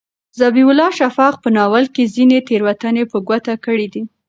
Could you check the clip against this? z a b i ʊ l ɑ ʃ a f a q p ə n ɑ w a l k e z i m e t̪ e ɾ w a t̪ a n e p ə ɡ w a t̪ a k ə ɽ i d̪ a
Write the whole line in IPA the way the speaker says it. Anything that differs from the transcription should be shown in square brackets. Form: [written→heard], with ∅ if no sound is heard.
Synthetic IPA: z a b i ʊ l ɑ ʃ a f [a→ɑ] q p ə n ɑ w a l k e z i [m→n] e t̪ e ɾ w a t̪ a n e p ə ɡ w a t̪ a k ə ɽ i d̪ [a→i]